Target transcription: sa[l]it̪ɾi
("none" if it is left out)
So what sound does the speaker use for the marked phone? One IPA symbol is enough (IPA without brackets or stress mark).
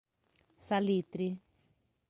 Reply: l